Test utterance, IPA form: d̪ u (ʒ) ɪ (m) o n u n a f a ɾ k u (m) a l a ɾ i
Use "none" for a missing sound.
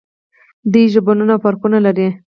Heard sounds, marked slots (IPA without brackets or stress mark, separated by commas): ʒ, b, n